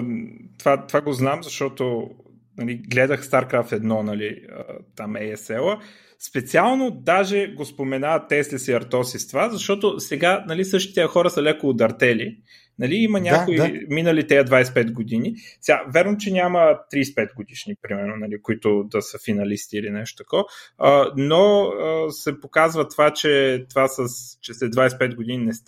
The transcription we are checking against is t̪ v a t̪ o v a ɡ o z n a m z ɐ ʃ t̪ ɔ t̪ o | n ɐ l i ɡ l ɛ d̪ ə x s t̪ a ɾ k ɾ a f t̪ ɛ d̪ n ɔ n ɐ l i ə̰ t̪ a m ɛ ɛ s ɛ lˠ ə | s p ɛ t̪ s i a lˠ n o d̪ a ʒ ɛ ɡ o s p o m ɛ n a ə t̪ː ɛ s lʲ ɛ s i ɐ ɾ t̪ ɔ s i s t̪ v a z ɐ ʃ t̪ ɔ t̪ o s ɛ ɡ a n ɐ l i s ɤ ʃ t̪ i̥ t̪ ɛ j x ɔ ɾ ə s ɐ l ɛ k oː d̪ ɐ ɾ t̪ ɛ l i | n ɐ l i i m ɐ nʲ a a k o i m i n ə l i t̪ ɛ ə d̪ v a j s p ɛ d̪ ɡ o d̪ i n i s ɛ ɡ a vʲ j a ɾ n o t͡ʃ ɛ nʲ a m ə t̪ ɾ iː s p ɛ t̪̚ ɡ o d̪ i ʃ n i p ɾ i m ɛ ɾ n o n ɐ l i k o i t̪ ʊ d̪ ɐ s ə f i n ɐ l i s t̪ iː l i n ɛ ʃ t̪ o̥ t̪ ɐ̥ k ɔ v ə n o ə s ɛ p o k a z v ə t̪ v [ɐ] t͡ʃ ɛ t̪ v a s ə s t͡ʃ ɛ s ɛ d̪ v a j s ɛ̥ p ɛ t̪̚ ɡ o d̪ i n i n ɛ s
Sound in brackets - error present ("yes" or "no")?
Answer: yes